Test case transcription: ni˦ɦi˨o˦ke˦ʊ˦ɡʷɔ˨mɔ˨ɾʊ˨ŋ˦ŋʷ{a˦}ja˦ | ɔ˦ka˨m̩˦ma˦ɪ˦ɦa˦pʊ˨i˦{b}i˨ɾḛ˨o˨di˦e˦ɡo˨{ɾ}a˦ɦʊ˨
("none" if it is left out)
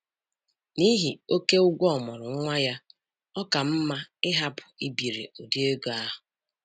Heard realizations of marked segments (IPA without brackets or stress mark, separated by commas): a˦, b, none